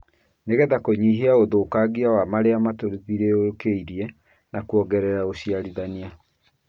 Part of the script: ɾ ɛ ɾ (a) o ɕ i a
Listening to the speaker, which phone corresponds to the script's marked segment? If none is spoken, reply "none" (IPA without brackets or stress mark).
a